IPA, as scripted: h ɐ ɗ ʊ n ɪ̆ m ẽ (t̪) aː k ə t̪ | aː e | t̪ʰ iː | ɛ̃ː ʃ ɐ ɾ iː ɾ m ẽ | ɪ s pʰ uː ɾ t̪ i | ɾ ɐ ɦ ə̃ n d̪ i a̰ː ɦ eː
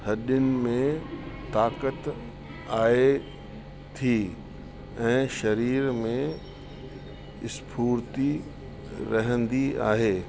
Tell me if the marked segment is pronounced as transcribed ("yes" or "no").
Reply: yes